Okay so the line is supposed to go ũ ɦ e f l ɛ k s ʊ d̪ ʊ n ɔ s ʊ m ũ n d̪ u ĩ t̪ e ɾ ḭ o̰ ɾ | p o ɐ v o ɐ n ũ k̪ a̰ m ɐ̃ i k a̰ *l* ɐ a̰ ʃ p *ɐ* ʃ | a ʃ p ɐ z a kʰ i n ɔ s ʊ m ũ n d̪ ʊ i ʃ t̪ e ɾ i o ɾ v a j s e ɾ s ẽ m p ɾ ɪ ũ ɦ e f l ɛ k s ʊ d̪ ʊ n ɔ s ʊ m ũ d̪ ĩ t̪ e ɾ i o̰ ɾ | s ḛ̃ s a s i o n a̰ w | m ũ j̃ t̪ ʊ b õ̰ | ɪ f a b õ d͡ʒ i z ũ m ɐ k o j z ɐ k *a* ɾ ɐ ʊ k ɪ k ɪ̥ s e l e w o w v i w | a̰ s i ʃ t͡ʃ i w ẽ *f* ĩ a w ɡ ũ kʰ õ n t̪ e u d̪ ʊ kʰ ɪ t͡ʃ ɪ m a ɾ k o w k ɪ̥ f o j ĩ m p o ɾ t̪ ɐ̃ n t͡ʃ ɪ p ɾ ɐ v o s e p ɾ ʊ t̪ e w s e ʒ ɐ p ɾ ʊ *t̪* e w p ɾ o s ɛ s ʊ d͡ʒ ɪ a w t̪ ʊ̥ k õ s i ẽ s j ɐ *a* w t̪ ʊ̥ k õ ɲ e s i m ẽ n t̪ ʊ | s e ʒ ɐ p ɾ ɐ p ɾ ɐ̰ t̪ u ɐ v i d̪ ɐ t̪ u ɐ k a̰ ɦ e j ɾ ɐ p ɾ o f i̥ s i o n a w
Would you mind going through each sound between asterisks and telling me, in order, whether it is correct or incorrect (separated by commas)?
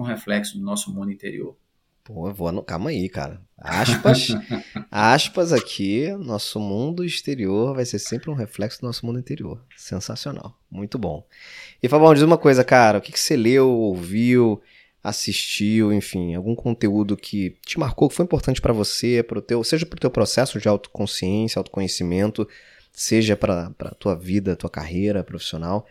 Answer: incorrect, correct, correct, correct, correct, correct